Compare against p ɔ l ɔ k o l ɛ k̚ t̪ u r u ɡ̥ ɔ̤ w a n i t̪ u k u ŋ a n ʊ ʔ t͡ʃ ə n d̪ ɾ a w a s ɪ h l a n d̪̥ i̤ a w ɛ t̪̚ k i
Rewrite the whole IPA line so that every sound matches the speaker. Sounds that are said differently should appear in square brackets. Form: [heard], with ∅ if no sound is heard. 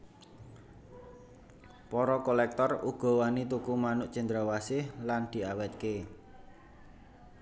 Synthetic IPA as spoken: p ɔ [ɾ] ɔ k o l ɛ k̚ t̪ [ɔ] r u ɡ̥ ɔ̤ w a n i t̪ u k u [m] a n ʊ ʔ t͡ʃ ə n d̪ ɾ a w a s ɪ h l a n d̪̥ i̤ a w ɛ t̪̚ k [e]